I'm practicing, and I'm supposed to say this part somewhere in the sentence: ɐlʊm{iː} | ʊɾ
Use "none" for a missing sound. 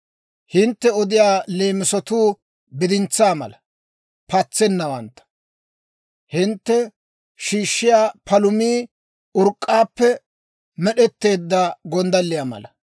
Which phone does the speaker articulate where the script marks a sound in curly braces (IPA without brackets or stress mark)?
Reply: iː